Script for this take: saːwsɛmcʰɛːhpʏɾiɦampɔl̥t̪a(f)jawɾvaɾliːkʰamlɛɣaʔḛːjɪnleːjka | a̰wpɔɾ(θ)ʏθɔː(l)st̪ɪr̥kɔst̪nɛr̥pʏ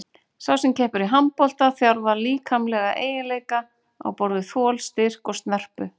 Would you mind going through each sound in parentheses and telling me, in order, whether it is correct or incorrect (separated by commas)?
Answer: incorrect, incorrect, correct